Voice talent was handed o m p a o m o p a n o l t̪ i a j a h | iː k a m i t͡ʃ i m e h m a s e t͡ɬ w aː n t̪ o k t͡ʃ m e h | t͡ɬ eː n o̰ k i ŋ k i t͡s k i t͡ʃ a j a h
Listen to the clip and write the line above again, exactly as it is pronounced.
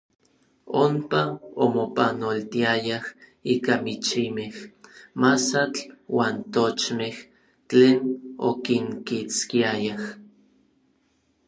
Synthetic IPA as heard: o m p a o m o p a n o l t̪ i a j a h | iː k a m i t͡ʃ i m e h m a s a t͡ɬ w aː n t̪ o t͡ʃ m e h | t͡ɬ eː n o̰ k i ŋ k i t͡s k i a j a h